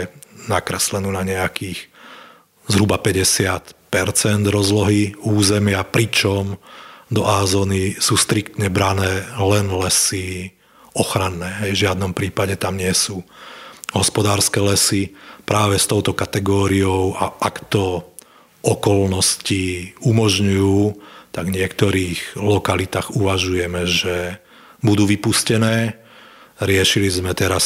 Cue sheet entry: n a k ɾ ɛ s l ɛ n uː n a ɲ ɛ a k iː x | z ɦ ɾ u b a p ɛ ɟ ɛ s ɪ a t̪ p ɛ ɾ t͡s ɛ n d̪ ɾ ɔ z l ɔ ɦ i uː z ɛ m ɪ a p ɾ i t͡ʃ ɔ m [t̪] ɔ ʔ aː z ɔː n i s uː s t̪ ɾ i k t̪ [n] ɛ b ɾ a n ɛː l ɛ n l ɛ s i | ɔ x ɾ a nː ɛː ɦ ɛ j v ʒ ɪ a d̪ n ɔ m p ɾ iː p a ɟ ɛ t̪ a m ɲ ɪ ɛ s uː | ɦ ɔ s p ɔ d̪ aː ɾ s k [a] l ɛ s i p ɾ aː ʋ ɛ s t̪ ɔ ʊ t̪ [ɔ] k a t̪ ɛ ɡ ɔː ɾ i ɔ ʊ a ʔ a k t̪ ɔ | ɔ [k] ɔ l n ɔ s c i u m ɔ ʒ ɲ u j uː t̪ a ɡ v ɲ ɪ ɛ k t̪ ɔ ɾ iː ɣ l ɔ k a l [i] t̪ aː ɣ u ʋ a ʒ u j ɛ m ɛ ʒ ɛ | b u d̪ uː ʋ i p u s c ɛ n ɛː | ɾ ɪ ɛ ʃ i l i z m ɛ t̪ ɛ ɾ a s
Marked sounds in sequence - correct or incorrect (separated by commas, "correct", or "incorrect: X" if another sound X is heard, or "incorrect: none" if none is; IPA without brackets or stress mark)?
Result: incorrect: d̪, incorrect: ɲ, incorrect: ɛ, correct, correct, correct